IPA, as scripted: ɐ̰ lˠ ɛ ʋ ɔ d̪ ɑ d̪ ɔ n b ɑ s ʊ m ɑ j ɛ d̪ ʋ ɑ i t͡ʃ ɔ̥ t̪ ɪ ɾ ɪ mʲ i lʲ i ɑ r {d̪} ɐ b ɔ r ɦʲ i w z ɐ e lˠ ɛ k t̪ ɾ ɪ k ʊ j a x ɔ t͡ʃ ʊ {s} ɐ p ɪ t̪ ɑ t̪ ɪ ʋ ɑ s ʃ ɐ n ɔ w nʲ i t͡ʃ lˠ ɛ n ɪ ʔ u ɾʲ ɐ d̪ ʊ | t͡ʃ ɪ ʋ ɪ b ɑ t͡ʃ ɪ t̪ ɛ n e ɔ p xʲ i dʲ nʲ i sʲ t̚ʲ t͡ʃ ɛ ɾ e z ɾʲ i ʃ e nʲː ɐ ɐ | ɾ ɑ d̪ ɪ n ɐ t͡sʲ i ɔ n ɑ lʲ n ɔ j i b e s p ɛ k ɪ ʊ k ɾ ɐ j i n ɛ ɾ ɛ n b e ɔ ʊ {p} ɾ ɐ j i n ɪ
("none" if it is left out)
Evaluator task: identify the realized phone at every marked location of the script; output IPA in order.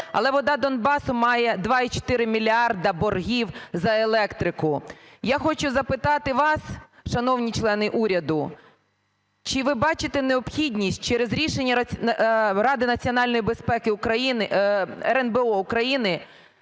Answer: d̪, z, k

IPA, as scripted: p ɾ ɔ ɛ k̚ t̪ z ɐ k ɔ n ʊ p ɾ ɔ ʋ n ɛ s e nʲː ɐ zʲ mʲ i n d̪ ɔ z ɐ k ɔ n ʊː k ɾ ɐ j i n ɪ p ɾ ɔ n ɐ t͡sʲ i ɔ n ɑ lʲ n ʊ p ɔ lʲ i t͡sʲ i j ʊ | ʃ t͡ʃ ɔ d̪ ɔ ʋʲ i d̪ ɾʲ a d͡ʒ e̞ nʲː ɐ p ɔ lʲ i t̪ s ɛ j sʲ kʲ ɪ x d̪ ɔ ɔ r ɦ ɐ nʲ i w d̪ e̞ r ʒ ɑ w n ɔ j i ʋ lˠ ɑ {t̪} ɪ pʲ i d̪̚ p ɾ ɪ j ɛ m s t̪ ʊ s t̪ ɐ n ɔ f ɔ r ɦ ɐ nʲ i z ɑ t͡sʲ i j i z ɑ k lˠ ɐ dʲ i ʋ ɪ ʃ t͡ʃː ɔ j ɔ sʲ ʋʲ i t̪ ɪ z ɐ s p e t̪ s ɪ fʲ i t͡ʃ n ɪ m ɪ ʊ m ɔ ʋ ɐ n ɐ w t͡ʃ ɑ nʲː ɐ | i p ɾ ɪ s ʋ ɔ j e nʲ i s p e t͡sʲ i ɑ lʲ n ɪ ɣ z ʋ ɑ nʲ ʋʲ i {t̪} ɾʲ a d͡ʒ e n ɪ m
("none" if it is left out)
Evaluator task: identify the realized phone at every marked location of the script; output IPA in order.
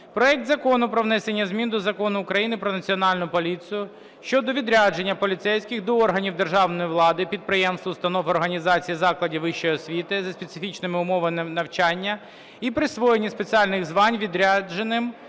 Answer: d̪, d̪

